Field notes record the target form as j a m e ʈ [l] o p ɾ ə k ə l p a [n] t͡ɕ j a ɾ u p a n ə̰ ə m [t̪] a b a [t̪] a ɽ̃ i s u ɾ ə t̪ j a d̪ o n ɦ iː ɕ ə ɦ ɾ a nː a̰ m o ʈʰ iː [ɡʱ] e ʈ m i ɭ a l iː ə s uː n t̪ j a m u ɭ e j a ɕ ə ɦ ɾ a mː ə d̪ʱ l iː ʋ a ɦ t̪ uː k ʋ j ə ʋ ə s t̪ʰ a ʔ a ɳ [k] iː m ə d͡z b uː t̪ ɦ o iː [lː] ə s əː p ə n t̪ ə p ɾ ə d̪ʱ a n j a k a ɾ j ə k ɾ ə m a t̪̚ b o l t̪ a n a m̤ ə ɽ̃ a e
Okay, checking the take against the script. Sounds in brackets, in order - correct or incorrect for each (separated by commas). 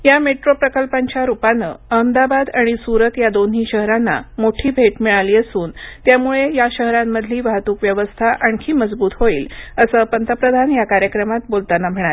incorrect, incorrect, incorrect, incorrect, incorrect, incorrect, incorrect